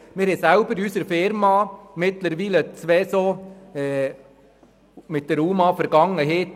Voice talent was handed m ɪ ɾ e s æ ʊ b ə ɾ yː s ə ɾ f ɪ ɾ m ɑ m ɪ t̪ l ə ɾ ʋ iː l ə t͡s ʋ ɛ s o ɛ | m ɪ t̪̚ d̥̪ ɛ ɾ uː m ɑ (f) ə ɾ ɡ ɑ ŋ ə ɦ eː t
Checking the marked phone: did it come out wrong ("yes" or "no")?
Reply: no